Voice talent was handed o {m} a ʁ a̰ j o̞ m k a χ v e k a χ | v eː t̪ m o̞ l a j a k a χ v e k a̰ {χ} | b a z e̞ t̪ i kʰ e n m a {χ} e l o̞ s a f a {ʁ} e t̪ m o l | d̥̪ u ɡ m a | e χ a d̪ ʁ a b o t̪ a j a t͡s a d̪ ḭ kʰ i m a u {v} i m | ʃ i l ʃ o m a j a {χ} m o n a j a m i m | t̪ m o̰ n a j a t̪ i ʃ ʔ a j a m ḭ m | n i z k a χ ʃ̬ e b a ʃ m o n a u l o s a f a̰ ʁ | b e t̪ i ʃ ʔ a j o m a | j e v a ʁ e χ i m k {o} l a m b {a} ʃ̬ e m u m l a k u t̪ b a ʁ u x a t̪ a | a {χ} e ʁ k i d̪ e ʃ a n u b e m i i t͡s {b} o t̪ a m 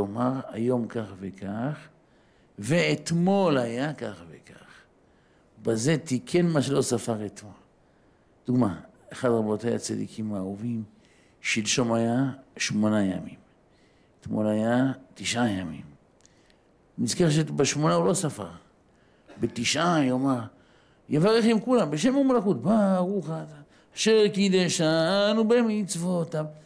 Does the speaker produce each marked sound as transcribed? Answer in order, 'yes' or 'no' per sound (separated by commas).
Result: yes, yes, no, yes, yes, no, no, no, no, no